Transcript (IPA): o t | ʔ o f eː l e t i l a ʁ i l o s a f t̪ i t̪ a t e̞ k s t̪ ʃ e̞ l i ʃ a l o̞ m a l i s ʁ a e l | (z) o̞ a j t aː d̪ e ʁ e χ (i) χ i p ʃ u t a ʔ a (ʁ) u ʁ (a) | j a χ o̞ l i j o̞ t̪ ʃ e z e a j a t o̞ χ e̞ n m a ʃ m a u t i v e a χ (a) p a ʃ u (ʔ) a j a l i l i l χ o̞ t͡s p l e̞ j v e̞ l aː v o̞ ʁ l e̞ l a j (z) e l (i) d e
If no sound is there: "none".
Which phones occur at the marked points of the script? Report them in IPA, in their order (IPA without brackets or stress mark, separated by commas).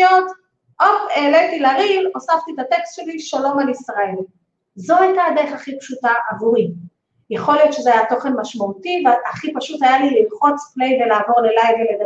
z, a, v, i, i, t, v, e